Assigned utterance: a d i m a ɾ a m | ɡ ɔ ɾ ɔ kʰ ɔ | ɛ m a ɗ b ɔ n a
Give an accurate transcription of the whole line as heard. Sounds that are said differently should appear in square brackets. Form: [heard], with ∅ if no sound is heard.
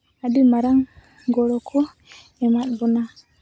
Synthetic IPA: a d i m a ɾ a [ŋ] | ɡ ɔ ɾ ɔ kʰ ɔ | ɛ m a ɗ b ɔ n a